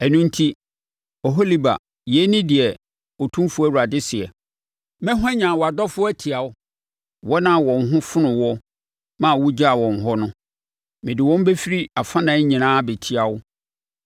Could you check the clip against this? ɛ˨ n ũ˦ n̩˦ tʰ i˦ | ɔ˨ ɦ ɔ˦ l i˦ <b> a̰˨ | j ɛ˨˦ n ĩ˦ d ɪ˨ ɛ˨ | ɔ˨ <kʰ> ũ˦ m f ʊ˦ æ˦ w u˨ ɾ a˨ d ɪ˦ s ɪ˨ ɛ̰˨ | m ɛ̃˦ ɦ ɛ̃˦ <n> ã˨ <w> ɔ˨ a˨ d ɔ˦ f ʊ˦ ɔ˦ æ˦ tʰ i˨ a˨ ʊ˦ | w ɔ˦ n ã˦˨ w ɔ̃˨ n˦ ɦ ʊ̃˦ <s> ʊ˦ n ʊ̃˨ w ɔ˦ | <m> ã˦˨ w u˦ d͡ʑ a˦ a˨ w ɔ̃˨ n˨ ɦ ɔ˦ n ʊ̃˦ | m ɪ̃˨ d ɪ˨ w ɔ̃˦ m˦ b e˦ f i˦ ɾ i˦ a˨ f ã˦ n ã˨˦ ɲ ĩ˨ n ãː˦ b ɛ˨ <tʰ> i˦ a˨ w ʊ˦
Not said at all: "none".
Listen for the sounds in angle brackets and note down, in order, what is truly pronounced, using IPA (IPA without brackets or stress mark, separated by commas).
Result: b, tʰ, ɲ, w, f, m, tʰ